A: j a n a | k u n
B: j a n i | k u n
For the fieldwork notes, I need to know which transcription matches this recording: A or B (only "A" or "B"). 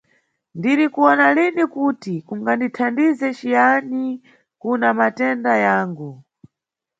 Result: B